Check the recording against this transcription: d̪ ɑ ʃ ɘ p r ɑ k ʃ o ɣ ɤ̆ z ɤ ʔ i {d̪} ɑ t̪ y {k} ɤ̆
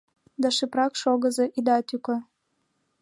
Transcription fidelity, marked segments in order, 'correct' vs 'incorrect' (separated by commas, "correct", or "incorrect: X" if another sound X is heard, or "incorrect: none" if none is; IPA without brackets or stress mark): correct, correct